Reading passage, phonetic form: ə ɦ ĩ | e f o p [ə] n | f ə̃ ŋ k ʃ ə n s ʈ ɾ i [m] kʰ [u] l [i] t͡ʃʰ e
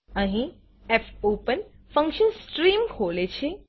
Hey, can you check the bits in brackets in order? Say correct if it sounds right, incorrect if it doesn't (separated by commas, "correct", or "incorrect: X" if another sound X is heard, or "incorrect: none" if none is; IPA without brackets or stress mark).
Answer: correct, correct, incorrect: o, incorrect: e